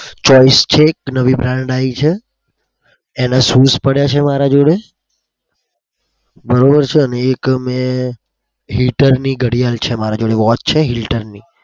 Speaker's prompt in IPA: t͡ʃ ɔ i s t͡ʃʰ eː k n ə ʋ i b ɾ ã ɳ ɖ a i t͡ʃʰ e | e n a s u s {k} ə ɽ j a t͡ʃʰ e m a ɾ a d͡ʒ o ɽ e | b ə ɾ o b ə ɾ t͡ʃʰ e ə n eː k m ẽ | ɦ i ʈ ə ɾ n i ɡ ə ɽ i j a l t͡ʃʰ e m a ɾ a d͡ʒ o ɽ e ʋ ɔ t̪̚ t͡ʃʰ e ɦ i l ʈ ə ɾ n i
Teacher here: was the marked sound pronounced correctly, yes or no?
no